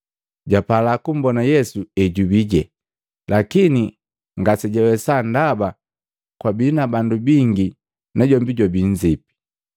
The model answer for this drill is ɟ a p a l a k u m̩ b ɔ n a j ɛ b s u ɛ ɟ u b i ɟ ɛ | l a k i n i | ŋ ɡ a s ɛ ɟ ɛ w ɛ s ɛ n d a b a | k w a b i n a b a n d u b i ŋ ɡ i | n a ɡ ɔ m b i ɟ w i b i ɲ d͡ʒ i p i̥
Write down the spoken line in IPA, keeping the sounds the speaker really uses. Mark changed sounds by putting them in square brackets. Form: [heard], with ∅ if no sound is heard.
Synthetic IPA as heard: ɟ a p a l a k u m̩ b ɔ n a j ɛ [∅] s u ɛ ɟ u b i ɟ ɛ | l a k i n i | ŋ ɡ a s ɛ ɟ ɛ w ɛ s [a] n d a b a | k w a b i n a b a n d u b i ŋ ɡ i | n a [ɟ] ɔ m b i ɟ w [a] b i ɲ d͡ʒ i p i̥